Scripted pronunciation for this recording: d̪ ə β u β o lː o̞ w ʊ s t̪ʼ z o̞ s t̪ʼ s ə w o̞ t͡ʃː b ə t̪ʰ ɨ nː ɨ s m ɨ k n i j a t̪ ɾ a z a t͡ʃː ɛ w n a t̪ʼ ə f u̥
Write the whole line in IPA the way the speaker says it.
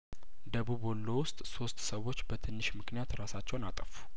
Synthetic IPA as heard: d̪ ə β u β o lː o̞ w ʊ s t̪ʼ s o̞ s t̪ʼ s ə w o̞ t͡ʃː b ə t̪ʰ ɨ nː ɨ ʃ m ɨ k n i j a t̪ ɾ a s a t͡ʃː ɛ w n a t̪ʼ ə f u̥